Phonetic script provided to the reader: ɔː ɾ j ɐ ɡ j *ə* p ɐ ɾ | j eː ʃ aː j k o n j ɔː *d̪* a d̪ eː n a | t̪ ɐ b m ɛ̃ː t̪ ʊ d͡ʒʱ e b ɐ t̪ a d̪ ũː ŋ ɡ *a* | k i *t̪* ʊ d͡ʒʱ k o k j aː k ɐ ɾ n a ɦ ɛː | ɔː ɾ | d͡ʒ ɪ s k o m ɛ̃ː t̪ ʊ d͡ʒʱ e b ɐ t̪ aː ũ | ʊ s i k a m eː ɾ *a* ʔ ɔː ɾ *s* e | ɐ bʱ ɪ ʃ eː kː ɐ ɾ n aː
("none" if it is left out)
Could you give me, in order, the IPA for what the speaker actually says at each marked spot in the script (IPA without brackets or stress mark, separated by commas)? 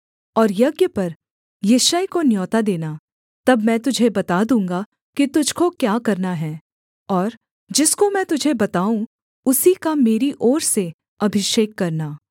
ə, t̪, a, t̪, i, s